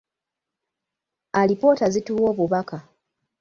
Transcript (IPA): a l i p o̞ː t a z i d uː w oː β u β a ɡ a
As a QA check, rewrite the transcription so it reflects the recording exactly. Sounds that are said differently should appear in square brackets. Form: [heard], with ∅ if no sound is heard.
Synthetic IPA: a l i p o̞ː t a z i [t] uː w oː β u β a [k] a